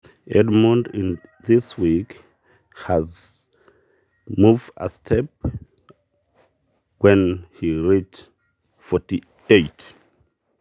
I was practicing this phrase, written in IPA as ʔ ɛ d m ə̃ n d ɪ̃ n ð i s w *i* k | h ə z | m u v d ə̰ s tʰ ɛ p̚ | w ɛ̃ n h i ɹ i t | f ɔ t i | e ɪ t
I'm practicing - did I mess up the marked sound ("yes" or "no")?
no